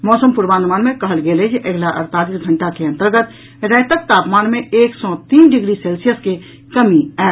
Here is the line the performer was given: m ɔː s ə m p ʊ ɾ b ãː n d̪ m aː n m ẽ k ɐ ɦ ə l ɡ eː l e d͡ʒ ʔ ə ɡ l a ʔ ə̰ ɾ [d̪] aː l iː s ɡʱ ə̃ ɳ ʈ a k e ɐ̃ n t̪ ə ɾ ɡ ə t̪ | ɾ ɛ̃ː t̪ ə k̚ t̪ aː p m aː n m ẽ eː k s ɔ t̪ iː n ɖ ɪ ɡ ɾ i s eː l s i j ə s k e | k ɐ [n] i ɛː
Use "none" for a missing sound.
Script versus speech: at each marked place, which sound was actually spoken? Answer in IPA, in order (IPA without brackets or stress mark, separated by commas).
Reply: t̪, m